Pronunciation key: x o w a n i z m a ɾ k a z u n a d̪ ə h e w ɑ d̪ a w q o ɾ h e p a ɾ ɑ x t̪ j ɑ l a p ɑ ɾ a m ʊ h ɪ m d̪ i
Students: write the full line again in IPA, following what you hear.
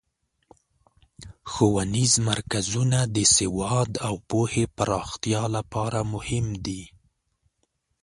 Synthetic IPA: x o w a n i z m a ɾ k a z u n a d̪ ə s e w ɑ d̪ a w p o h e p a ɾ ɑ x t̪ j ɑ l a p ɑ ɾ a m ʊ h ɪ m d̪ i